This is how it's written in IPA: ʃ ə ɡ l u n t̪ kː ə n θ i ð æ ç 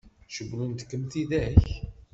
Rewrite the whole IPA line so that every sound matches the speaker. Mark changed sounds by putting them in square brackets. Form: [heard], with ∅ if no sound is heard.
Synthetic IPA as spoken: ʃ ə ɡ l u n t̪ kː ə [m] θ i ð æ ç